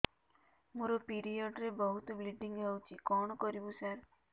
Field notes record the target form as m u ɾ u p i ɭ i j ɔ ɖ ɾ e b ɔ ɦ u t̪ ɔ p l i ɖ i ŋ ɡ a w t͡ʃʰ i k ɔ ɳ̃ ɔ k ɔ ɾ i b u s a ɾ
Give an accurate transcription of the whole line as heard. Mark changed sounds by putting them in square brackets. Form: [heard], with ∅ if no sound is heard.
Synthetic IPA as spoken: m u ɾ [ɔ] p i [ɾ] i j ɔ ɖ ɾ e b ɔ ɦ u t̪ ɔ [b] l i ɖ i ŋ ɡ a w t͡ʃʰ i k ɔ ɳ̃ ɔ k ɔ ɾ i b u s a ɾ